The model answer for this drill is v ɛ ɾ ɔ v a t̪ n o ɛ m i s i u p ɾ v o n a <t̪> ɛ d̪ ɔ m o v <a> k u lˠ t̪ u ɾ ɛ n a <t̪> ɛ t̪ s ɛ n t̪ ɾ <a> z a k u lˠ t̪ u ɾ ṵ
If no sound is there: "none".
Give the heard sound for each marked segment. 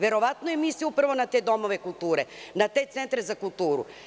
t̪, ɛ, t̪, ɛ

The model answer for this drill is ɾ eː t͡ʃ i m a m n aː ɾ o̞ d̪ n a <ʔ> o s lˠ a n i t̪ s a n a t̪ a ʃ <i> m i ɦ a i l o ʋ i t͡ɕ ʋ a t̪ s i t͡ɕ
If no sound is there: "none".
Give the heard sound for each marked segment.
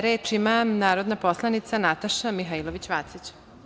p, a

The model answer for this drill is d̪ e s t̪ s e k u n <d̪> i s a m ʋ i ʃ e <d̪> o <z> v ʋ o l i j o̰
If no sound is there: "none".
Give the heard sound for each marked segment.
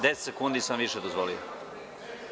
d̪, d̪, z

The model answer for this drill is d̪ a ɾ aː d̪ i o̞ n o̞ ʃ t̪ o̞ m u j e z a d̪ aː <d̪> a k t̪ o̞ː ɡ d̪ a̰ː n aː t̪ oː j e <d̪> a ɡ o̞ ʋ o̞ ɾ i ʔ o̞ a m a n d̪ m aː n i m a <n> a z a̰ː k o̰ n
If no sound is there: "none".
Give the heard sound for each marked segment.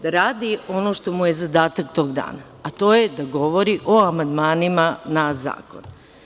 t̪, d̪, n

